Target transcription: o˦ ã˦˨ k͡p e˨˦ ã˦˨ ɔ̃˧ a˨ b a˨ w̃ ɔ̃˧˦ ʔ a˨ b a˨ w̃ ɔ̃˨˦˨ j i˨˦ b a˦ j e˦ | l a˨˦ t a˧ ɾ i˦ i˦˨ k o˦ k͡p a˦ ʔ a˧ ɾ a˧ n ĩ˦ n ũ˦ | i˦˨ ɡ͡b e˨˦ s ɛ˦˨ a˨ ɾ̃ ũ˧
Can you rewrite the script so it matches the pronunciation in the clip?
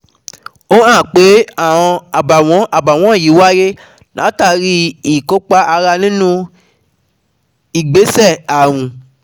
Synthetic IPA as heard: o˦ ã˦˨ k͡p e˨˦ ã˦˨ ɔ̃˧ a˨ b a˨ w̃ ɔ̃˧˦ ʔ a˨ b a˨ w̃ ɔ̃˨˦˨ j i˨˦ w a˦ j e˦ | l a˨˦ t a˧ ɾ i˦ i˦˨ k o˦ k͡p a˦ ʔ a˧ ɾ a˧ n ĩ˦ n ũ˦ | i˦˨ ɡ͡b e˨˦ s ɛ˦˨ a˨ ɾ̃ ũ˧